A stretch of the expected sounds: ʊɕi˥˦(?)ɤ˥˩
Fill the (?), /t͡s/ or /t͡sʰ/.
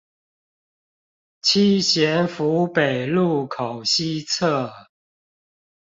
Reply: t͡sʰ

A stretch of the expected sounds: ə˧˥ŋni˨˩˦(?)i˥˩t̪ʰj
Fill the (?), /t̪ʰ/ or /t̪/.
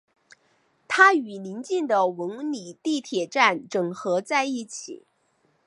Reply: t̪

